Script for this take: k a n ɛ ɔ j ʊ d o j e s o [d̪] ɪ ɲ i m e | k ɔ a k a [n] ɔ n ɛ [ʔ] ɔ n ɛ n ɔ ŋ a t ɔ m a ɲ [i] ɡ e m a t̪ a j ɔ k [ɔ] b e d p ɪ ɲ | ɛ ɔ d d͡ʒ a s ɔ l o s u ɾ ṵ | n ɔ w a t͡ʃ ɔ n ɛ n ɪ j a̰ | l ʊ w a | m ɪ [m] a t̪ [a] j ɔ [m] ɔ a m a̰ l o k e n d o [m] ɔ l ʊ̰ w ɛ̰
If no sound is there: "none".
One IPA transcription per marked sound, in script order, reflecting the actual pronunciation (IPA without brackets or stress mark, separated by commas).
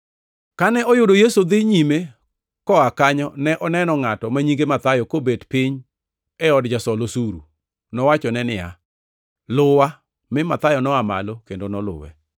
d̪, ɲ, ʔ, i, o, m, a, n, n